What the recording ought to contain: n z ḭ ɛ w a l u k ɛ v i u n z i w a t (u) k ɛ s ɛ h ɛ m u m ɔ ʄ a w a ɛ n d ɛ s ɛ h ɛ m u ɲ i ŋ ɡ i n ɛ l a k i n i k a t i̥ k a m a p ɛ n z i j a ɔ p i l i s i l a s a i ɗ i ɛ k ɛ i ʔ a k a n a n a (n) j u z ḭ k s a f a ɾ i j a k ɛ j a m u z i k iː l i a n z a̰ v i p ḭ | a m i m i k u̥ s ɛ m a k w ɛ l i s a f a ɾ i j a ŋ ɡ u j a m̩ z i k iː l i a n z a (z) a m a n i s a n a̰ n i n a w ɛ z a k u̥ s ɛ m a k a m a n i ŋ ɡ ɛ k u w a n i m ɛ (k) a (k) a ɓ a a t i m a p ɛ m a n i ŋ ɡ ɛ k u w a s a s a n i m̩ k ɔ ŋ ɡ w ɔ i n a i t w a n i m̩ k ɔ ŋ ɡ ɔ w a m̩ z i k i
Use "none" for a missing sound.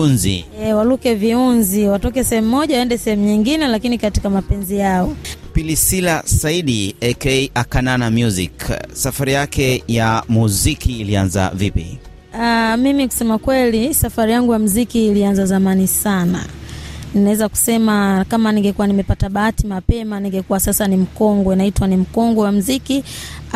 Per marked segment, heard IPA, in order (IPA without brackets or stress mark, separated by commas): ɔ, m, z, p, t